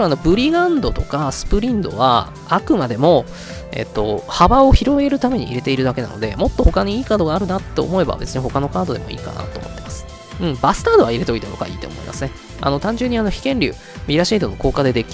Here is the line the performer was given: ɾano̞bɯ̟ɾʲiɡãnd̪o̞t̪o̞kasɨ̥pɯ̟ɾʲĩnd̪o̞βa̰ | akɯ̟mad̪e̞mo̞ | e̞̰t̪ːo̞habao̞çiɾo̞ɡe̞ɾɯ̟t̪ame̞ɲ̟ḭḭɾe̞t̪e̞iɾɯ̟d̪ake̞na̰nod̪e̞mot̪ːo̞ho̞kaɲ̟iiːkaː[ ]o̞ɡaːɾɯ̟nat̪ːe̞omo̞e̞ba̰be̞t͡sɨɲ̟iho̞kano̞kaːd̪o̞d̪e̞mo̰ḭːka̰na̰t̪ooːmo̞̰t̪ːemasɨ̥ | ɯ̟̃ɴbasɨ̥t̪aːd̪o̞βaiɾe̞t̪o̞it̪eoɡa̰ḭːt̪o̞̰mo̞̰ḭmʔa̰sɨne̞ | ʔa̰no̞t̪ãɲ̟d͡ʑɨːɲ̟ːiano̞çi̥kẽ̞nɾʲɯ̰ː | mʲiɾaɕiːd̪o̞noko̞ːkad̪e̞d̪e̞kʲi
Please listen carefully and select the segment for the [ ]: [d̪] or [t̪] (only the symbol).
d̪